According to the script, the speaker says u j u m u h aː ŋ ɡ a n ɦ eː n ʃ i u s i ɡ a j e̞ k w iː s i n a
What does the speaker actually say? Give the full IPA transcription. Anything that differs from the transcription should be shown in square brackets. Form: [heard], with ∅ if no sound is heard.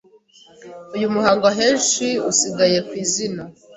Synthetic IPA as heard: u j u m u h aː ŋ ɡ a [∅] ɦ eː n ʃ i u s i ɡ a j e̞ k w iː [z] i n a